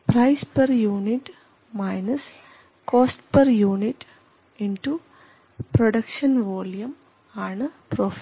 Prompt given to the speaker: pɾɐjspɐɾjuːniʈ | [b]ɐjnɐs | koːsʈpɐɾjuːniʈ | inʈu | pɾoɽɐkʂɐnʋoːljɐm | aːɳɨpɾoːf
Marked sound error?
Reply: yes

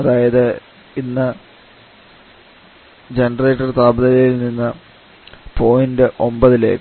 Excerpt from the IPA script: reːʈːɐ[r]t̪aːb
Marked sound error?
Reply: no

